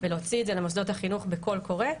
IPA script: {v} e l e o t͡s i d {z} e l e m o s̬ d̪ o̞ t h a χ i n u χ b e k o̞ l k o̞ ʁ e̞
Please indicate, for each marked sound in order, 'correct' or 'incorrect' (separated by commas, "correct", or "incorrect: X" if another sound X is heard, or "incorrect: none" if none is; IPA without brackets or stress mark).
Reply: correct, correct